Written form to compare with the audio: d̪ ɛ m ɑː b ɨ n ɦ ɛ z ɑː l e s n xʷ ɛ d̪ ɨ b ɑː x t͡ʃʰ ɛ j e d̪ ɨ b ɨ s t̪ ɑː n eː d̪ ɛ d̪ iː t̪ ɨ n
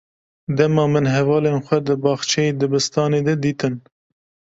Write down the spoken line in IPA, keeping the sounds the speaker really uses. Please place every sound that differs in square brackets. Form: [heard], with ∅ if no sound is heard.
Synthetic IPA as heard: d̪ ɛ m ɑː [m] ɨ n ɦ ɛ [v] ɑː l e [∅] n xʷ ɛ d̪ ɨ b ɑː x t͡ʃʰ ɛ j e d̪ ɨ b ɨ s t̪ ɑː n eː d̪ ɛ d̪ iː t̪ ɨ n